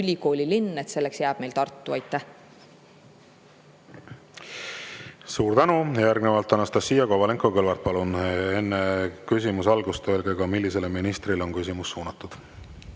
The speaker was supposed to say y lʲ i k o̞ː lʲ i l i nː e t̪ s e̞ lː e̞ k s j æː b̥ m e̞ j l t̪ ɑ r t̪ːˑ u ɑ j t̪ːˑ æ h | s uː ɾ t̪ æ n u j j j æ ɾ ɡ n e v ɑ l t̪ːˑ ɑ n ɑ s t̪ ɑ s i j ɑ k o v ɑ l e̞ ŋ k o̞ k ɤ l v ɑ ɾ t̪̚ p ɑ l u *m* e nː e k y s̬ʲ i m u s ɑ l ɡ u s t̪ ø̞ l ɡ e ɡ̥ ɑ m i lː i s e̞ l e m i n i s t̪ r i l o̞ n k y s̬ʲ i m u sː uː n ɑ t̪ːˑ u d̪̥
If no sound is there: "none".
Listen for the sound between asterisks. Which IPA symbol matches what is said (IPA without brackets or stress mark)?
n